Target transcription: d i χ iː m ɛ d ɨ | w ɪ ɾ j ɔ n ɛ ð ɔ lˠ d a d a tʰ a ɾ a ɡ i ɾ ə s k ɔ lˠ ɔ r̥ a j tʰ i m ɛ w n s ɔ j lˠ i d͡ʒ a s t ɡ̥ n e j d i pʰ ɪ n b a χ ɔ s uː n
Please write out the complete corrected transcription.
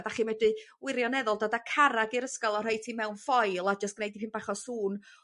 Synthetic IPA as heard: d a χ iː m ɛ d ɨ | w ɪ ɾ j ɔ n ɛ ð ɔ lˠ d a d a kʰ a ɾ a ɡ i ɾ ə s k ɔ lˠ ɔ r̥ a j tʰ i m ɛ w n f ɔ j lˠ a d͡ʒ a s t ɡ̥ n e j d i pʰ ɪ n b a χ ɔ s uː n